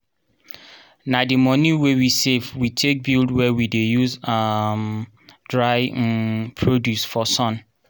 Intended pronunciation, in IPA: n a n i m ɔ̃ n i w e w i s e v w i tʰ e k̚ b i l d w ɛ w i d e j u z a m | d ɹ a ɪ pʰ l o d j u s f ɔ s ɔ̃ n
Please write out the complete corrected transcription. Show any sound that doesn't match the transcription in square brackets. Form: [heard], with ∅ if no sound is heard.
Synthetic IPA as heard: n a [d] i m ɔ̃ n i w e w i s e v w i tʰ e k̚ b i l d w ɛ w i d e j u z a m | d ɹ a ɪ pʰ [ɹ] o d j u s f ɔ s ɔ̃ n